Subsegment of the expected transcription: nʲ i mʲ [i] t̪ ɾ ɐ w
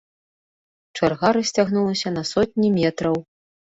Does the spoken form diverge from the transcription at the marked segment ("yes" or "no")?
yes